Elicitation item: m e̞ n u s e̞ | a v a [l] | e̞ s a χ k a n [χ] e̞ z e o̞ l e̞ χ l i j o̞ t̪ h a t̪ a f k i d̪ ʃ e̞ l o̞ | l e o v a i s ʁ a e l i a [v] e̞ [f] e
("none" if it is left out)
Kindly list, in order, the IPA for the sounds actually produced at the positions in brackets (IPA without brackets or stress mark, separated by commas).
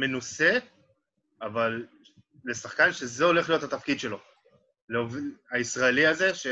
lː, ʃ, z, ʃ